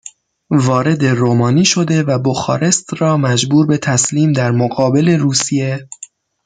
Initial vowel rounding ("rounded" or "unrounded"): rounded